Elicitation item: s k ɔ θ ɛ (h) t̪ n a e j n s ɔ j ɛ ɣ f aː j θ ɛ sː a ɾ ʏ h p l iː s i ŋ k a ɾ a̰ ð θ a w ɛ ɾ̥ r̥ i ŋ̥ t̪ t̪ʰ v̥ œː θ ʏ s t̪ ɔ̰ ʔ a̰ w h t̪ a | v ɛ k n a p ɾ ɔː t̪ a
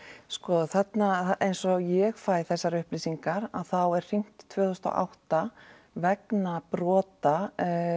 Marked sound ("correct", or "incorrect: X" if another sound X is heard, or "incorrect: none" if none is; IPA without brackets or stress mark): incorrect: none